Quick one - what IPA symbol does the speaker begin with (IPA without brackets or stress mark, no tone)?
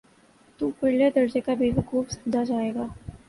t̪